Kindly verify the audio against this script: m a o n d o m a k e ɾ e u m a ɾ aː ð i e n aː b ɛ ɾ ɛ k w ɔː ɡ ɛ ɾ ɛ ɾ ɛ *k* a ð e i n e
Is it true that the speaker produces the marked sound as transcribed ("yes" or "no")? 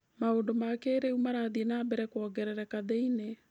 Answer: yes